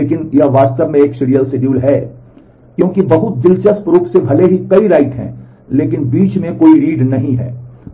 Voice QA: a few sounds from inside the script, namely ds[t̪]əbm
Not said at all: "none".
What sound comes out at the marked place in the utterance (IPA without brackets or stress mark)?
t̪